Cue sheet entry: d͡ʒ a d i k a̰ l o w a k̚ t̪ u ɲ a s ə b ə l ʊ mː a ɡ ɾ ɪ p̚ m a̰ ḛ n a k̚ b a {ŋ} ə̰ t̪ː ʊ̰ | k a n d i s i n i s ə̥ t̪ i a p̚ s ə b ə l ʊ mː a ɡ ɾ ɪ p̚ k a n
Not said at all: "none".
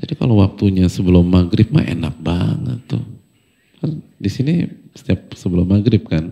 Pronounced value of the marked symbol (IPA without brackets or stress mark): ŋ